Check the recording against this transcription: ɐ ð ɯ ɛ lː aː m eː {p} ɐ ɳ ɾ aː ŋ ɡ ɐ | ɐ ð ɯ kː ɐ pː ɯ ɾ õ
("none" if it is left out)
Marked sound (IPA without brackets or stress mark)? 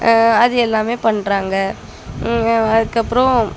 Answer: p